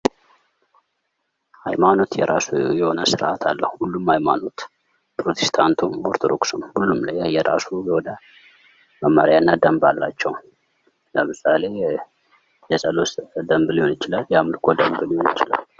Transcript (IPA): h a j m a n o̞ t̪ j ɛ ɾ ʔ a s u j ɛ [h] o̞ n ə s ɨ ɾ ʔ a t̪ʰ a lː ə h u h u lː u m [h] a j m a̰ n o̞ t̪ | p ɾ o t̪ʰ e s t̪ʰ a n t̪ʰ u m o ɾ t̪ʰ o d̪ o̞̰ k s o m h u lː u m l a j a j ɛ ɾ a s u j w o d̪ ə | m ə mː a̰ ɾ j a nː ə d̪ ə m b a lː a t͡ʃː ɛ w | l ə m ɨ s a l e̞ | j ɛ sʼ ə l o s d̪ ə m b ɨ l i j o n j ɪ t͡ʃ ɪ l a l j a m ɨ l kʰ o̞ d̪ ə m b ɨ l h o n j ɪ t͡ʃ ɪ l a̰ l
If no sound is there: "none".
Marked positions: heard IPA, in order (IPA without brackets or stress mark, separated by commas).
h, h